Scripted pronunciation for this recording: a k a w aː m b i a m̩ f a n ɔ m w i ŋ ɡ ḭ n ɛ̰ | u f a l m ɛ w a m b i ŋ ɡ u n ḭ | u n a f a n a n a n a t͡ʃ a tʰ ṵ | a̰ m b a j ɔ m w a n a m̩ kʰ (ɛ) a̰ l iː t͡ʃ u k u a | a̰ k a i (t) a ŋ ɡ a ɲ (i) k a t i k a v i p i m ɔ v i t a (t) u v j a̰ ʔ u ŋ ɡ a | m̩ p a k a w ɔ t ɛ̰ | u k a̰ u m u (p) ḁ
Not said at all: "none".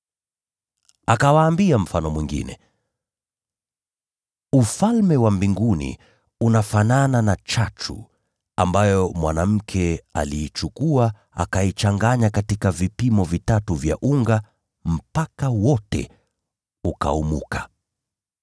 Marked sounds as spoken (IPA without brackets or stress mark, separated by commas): ɛ, t͡ʃ, a, t, k